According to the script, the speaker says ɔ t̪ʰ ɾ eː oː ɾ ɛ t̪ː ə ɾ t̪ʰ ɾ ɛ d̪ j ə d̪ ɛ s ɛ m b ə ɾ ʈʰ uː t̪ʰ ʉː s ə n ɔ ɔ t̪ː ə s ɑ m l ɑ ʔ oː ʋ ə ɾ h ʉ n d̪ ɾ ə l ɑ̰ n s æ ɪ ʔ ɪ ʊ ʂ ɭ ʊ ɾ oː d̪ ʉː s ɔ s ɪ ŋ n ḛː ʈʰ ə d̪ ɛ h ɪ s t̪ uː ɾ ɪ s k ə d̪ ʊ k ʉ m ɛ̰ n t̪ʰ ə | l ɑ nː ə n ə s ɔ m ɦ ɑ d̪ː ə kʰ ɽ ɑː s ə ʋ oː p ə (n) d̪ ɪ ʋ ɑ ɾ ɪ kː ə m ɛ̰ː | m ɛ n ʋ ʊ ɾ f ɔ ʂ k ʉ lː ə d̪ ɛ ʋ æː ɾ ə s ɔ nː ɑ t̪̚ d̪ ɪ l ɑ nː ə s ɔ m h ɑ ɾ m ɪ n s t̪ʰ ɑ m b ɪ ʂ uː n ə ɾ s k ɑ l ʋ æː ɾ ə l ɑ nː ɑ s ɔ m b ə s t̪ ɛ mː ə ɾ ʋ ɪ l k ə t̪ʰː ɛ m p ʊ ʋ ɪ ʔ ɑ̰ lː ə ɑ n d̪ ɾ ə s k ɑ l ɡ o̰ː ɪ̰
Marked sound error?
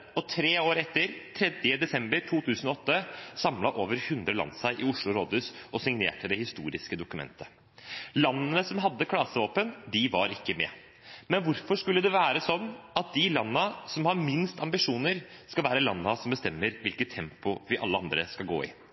no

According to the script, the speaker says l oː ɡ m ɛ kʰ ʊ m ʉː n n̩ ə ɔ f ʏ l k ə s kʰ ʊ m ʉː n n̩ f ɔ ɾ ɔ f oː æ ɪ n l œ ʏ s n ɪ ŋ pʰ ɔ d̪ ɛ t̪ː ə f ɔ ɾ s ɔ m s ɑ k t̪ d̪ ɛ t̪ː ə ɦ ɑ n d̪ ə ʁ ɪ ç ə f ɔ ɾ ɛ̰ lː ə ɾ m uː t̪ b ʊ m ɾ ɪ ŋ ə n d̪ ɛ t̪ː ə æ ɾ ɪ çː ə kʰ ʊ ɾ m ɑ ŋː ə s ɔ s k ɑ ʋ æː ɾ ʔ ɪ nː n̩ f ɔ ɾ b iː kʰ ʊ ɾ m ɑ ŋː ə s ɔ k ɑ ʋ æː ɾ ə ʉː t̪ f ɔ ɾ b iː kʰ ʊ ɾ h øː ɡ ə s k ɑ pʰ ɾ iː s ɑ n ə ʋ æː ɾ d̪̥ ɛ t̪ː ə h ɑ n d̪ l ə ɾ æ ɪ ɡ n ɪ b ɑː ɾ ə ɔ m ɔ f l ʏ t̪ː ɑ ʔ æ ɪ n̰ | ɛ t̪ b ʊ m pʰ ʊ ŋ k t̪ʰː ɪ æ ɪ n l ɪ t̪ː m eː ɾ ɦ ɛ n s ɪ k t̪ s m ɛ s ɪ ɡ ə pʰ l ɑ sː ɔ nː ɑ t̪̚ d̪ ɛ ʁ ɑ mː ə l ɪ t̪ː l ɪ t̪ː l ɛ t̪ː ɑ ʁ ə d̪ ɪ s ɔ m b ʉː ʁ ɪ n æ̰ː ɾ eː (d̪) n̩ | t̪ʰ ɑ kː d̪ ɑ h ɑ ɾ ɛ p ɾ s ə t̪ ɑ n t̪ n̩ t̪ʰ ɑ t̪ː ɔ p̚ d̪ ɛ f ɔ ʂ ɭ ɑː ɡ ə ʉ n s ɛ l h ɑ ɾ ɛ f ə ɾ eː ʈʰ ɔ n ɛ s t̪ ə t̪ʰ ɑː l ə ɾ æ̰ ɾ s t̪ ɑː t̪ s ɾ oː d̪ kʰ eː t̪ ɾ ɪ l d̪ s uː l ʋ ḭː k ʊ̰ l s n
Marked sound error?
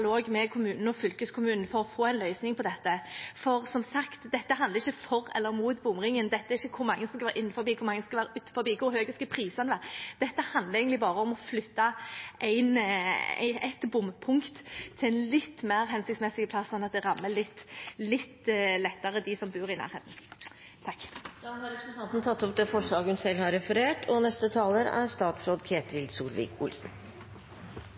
yes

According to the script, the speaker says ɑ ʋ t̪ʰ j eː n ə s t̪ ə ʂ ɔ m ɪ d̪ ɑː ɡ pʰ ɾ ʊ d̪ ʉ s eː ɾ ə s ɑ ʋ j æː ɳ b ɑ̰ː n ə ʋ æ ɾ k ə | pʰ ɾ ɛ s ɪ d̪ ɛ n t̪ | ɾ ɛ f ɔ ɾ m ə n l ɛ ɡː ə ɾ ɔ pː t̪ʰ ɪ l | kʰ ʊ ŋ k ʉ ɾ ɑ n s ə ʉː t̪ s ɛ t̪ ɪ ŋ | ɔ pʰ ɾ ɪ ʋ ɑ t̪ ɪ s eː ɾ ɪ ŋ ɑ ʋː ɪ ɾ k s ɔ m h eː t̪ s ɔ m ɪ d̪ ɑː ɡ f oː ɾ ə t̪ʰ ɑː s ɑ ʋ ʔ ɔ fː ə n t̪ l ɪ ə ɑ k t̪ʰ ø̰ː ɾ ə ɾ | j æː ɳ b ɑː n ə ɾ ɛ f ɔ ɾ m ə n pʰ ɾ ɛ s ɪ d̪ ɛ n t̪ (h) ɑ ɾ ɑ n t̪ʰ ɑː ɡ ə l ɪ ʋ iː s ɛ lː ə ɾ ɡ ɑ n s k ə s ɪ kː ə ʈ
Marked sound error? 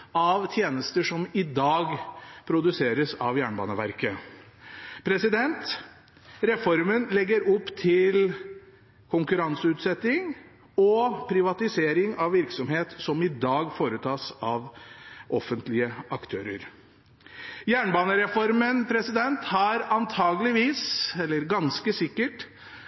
no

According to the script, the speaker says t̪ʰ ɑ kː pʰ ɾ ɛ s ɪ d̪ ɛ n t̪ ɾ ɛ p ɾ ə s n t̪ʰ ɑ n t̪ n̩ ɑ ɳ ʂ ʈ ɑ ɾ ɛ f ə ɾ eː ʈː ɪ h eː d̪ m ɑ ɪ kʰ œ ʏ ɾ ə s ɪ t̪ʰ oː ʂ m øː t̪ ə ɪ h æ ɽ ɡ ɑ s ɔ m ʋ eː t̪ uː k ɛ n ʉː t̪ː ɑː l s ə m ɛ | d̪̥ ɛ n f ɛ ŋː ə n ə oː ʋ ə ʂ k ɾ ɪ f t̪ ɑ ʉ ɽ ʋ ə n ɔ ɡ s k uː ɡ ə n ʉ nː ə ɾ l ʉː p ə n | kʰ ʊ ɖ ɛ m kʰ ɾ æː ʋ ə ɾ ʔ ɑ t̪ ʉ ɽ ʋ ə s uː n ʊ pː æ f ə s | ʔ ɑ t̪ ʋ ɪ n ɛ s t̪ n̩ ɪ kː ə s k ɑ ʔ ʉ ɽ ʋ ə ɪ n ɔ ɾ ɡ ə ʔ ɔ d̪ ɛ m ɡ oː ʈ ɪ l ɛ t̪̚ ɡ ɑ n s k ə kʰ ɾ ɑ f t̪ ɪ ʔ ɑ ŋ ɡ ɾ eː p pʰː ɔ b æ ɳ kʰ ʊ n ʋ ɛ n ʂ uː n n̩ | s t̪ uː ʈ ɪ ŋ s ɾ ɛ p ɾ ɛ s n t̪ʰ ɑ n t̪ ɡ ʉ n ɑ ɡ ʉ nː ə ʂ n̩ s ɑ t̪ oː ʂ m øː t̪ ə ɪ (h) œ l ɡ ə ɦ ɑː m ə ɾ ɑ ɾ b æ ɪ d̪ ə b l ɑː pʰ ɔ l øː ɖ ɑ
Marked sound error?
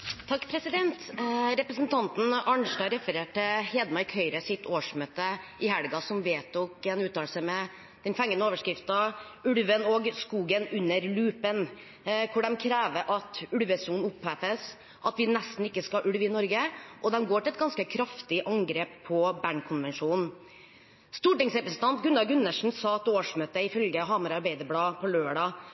yes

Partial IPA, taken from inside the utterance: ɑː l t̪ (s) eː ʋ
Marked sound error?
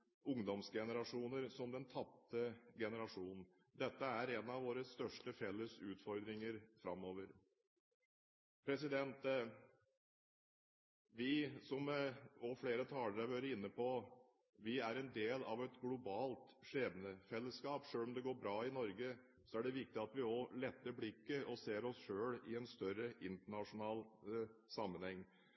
yes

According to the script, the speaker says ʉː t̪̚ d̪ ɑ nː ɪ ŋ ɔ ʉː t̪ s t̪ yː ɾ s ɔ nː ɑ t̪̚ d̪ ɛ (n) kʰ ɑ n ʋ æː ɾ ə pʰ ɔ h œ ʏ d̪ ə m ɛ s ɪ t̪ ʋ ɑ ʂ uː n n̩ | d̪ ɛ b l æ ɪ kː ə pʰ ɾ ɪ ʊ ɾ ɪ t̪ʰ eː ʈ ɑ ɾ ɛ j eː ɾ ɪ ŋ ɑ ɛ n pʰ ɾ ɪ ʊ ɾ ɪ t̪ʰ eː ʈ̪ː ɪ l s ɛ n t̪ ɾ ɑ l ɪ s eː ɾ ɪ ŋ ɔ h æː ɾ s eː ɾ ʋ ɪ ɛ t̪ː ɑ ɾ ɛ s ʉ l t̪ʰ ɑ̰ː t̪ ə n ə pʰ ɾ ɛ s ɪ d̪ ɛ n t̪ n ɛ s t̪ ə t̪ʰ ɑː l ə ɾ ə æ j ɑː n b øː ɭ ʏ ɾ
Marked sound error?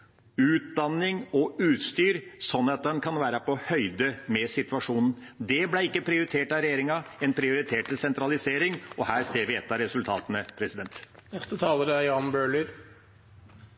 no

